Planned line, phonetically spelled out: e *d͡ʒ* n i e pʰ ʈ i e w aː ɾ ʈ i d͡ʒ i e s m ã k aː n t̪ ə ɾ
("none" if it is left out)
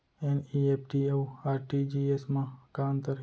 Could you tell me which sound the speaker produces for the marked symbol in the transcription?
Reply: none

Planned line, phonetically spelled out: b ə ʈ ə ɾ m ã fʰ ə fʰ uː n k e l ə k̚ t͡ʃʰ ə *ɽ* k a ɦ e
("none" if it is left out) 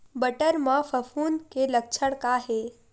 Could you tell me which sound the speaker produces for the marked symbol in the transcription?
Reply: ɽ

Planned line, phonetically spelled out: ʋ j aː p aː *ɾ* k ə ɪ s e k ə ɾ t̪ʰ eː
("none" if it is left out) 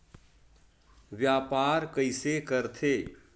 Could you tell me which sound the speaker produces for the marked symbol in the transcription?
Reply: ɾ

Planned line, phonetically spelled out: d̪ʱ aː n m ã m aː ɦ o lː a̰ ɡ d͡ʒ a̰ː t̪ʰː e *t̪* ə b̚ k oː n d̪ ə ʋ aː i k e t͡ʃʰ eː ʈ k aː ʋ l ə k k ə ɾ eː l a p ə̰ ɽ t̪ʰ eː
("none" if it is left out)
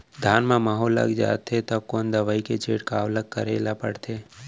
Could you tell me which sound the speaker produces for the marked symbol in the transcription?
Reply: t̪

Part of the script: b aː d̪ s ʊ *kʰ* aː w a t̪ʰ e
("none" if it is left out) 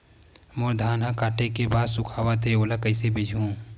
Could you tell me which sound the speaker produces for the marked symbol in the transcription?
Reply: kʰ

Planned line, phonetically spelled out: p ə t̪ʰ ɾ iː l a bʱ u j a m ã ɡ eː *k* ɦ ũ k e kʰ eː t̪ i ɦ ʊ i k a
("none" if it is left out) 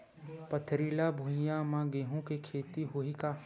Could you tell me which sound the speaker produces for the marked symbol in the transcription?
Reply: none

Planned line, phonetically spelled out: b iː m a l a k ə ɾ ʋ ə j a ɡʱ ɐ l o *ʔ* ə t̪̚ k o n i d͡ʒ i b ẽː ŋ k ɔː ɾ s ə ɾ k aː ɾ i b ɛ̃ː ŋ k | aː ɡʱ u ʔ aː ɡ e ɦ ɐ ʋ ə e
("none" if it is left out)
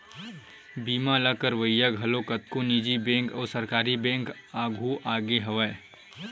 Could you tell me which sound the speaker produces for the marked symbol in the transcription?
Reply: k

